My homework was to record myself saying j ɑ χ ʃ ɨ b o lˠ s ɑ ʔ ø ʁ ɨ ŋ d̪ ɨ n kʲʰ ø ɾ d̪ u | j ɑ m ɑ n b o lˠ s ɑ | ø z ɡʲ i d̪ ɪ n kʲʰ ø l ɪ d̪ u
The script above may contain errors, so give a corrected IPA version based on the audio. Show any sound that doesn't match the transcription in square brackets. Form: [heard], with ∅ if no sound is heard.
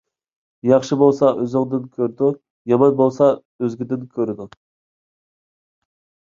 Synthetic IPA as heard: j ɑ χ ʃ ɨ b o lˠ s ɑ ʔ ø [z] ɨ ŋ d̪ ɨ n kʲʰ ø ɾ d̪ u | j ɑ m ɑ n b o lˠ s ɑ | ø z ɡʲ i d̪ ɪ n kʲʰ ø [ɾ] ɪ d̪ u